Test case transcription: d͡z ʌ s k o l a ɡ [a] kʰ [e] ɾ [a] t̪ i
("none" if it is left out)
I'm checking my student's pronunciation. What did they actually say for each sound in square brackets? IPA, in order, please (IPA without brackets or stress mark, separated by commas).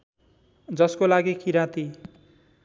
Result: i, i, a